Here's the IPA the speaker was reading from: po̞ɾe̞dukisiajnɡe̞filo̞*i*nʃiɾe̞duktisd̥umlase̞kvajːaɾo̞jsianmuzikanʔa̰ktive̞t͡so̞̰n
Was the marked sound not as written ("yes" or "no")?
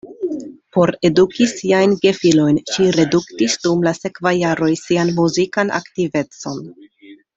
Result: yes